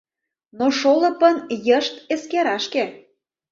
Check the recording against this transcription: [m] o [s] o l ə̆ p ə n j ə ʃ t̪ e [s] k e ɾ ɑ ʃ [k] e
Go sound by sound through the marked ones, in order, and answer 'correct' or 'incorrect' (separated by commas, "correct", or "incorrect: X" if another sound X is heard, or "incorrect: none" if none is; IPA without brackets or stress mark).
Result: incorrect: n, incorrect: ʃ, correct, correct